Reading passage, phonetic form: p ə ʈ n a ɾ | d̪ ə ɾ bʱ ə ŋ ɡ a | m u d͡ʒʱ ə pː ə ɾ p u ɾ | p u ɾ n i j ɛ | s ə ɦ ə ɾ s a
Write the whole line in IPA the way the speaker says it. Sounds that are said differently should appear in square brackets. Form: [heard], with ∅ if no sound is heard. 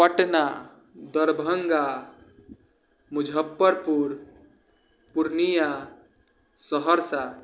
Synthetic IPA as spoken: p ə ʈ n a [∅] | d̪ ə ɾ bʱ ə ŋ ɡ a | m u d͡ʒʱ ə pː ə ɾ p u ɾ | p u ɾ n i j [a] | s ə ɦ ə ɾ s a

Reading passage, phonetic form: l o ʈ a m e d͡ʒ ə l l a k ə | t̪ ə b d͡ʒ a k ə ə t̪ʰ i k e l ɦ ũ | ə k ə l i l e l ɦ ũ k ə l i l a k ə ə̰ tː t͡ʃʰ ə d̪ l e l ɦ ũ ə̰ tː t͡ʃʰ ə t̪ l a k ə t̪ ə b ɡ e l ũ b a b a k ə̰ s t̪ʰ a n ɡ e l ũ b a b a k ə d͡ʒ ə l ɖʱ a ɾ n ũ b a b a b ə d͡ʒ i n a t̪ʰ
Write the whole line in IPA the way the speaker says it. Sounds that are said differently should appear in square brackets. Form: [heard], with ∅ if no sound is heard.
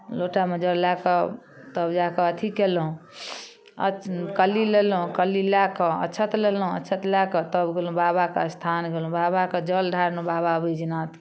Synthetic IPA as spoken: l o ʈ a m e d͡ʒ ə l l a k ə | t̪ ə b d͡ʒ a k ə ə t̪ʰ i k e l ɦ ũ | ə k ə l i l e l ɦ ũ k ə l i l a k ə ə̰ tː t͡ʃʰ ə [t̪] l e l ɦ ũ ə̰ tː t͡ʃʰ ə t̪ l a k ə t̪ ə b ɡ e l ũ b a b a k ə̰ s t̪ʰ a n ɡ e l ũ b a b a k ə d͡ʒ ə l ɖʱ a ɾ n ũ b a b a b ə d͡ʒ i n a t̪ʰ

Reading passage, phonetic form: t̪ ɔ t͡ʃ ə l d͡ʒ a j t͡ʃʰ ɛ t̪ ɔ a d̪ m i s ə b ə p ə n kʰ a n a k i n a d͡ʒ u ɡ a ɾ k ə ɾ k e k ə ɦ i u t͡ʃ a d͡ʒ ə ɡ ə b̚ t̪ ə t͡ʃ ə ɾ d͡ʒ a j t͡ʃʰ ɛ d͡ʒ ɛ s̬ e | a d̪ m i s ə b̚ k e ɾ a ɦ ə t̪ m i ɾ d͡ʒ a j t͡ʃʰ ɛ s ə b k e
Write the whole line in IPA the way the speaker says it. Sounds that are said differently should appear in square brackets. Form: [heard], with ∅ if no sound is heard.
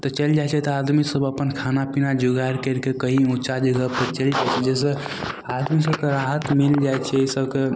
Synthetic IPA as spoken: t̪ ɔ t͡ʃ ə l d͡ʒ a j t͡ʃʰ ɛ t̪ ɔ a d̪ m i s ə b ə p ə n kʰ a n a [p] i n a d͡ʒ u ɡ a ɾ k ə ɾ k e k ə ɦ i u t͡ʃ a d͡ʒ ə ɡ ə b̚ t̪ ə t͡ʃ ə [l] d͡ʒ a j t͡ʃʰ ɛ d͡ʒ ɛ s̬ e | a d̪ m i s ə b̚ k e ɾ a ɦ ə t̪ m i [l] d͡ʒ a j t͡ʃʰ ɛ s ə b k e

